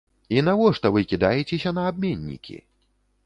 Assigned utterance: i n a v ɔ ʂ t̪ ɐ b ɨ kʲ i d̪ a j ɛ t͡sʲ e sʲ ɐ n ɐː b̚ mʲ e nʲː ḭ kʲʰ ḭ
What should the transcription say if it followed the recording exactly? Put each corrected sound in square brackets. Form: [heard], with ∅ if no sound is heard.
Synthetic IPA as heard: i n a v ɔ ʂ t̪ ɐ [v] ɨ kʲ i d̪ a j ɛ t͡sʲ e sʲ ɐ n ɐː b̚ mʲ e nʲː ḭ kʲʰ ḭ